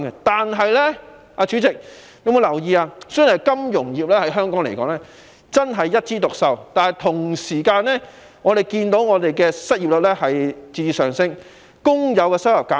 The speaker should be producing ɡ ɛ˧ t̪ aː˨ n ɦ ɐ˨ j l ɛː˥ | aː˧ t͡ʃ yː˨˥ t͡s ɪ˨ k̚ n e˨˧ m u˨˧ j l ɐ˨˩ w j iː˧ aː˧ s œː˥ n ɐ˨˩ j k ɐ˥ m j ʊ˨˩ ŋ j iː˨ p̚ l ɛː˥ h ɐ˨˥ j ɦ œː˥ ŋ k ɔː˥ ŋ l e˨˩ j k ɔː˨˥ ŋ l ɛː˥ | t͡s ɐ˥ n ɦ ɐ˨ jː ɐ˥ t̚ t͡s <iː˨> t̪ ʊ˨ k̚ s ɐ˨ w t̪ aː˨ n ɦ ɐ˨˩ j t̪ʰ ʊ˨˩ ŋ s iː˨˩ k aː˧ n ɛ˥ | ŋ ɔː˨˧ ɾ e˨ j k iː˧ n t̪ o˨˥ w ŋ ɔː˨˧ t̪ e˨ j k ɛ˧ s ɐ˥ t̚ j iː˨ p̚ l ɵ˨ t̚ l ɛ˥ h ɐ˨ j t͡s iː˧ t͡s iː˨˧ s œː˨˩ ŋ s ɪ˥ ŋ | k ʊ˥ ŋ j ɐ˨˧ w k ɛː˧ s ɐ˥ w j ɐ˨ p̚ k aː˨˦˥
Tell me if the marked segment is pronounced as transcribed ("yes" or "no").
no